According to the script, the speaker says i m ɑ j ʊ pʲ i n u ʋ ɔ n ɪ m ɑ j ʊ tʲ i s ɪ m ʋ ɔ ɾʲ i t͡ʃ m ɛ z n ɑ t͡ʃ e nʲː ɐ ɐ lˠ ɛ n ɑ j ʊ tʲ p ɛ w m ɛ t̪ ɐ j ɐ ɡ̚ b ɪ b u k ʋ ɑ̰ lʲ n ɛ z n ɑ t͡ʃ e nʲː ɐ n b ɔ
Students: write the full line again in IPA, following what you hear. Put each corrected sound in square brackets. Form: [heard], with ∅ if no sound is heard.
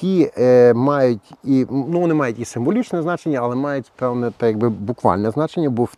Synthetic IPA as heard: i m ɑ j ʊ [tʲ] i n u ʋ ɔ n ɪ m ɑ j ʊ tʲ i s ɪ m ʋ ɔ [lʲ] i t͡ʃ [n] ɛ z n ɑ t͡ʃ e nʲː ɐ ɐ lˠ ɛ [m] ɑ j ʊ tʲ p ɛ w [n] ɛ t̪ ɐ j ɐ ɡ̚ b ɪ b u k ʋ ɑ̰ lʲ n ɛ z n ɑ t͡ʃ e nʲː ɐ [∅] b ɔ